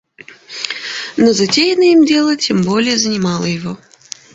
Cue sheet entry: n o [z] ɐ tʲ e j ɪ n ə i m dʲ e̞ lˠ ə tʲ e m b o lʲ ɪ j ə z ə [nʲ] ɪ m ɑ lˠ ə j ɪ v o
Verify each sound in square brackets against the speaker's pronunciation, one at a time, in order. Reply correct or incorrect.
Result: correct, correct

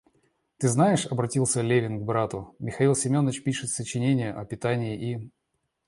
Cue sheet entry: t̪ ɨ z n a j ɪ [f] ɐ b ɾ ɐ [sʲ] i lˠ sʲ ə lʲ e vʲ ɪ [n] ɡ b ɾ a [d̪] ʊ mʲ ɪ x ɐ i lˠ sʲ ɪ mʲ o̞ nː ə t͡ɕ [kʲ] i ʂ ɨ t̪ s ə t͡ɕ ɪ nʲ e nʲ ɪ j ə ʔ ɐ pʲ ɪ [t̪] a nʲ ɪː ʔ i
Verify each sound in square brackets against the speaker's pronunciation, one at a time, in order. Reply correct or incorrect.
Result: incorrect: ʂ, incorrect: tʲ, correct, incorrect: t̪, incorrect: pʲ, correct

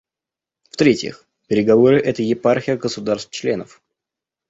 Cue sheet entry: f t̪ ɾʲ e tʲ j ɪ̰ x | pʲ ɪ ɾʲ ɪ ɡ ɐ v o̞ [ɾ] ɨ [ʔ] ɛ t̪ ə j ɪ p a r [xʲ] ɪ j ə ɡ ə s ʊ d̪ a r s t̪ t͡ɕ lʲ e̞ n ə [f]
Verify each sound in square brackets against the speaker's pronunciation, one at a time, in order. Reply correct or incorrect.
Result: correct, correct, correct, correct

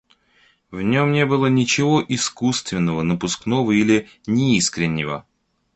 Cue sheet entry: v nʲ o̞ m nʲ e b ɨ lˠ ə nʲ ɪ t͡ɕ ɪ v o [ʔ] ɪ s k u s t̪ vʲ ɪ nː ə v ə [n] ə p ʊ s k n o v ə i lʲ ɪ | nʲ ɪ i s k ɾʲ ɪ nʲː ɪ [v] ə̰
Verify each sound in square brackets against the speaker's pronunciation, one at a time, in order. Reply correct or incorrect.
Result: correct, correct, correct

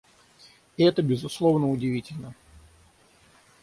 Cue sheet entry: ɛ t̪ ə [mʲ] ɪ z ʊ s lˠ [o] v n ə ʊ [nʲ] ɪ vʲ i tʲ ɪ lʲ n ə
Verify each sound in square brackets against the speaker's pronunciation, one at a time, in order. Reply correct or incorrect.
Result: incorrect: bʲ, correct, incorrect: dʲ

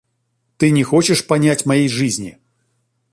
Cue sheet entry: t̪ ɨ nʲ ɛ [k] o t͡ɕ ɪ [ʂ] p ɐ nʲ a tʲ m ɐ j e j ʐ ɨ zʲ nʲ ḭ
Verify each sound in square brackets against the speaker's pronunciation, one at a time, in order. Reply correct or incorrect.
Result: incorrect: x, correct

